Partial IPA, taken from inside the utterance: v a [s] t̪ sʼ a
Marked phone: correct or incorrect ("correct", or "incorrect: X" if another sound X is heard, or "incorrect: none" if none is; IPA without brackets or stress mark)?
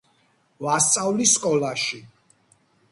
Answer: correct